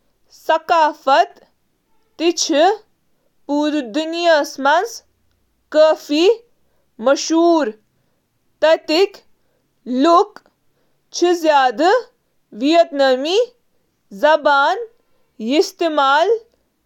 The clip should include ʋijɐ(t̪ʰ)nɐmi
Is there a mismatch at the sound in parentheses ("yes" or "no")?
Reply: yes